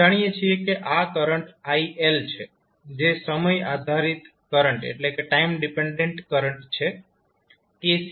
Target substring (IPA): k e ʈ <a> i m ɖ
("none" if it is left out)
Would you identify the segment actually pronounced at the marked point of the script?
a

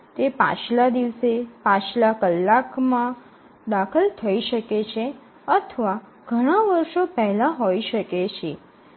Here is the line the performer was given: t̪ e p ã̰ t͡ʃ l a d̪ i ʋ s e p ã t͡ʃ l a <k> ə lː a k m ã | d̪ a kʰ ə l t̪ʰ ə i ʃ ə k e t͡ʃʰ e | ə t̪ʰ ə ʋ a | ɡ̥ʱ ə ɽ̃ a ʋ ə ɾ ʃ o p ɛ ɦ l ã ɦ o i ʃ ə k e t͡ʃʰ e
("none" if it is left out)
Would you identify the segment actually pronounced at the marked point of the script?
k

